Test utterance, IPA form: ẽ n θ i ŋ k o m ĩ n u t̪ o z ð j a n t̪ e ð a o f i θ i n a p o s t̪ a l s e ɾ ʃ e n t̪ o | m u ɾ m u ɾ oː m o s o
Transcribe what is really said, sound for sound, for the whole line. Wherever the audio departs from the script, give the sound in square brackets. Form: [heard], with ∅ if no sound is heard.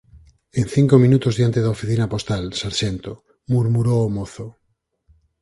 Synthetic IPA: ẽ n θ i ŋ k o m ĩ n u t̪ o z ð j a n t̪ e ð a o f i θ i n a p o s t̪ a l s [a] ɾ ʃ e n t̪ o | m u ɾ m u ɾ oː m o [θ] o